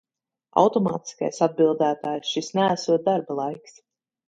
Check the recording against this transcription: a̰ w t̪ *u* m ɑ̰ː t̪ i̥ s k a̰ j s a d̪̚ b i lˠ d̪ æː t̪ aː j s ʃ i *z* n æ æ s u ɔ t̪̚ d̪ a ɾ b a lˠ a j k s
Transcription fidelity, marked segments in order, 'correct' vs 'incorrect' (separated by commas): incorrect, incorrect